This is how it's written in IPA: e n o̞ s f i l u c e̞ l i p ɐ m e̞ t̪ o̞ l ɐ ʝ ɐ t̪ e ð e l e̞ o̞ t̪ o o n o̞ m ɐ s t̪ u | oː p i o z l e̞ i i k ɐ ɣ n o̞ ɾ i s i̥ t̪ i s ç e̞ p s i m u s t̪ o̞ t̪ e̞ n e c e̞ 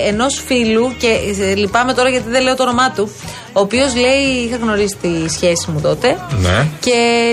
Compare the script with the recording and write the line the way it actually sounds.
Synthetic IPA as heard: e n o̞ s f i l u c e̞ l i p ɐ m e̞ t̪ o̞ ɾ ɐ ʝ ɐ t̪ i ð e l e̞ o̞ t̪ o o n o̞ m ɐ t̪ u | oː p i o z l e̞ i i x ɐ ɣ n o̞ ɾ i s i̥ t̪ i s ç e̞ s i m u t̪ o̞ t̪ e̞ n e c e̞